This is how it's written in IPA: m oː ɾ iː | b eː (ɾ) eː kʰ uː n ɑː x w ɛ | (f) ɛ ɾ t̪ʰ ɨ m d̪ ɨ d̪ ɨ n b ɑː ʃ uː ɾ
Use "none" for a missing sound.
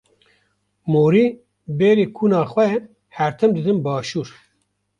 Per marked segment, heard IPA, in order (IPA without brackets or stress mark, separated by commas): ɾ, h